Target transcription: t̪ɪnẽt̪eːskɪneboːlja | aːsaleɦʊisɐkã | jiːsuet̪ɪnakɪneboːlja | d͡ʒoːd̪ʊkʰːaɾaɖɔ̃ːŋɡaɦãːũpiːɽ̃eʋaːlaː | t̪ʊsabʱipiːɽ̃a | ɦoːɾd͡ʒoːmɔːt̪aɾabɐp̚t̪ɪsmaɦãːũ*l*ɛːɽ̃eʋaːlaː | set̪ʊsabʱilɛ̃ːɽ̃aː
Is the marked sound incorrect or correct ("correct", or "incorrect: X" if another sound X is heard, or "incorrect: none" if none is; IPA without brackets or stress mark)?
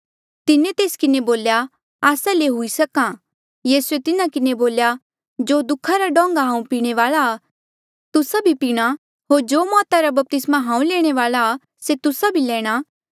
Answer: correct